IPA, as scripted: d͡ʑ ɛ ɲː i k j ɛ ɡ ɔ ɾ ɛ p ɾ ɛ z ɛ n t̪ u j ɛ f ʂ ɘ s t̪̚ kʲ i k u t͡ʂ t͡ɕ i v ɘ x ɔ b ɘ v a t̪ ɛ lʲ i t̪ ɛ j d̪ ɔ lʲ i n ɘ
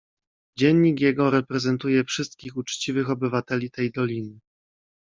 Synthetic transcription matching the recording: d͡ʑ ɛ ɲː i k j ɛ ɡ ɔ ɾ ɛ p ɾ ɛ z ɛ n t̪ u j ɛ f ʂ ɘ s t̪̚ kʲ i x u t͡ʂ t͡ɕ i v ɘ x ɔ b ɘ v a t̪ ɛ lʲ i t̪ ɛ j d̪ ɔ lʲ i n ɘ

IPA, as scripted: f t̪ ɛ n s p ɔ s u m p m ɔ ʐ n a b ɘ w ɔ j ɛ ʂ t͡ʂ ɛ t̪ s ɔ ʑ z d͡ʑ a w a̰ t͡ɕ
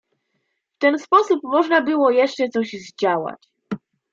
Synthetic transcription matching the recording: f t̪ ɛ n s p ɔ s u p m ɔ ʐ n a b ɘ w ɔ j ɛ ʂ t͡ʂ ɛ t̪ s ɔ ʑ z d͡ʑ a w a̰ t͡ɕ

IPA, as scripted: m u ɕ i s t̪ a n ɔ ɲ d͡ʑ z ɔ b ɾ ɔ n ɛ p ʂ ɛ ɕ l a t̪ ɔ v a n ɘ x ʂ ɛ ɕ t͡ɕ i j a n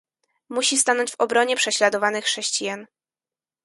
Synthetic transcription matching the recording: m u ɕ i s t̪ a n ɔ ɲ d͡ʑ v ɔ b ɾ ɔ ɲ ɛ p ʂ ɛ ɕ l a d̪ ɔ v a n ɘ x ʂ ɛ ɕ t͡ɕ i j a n

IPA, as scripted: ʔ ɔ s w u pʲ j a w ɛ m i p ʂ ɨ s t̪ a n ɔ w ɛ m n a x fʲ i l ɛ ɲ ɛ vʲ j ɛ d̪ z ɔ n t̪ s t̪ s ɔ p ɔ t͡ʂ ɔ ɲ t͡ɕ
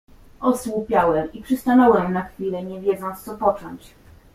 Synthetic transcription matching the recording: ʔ ɔ s w u pʲ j a w ɛ m i p ʂ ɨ s t̪ a n ɔ w ɛ m n a x fʲ i l ɛ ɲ ɛ vʲ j ɛ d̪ z ɔ n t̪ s t̪ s ɔ p ɔ t͡ʂ ɔ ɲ t͡ɕ

